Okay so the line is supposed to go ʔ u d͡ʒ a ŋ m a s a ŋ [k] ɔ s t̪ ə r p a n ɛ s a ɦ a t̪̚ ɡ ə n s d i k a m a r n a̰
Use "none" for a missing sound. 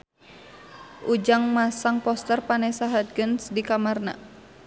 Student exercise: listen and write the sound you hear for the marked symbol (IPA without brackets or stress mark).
p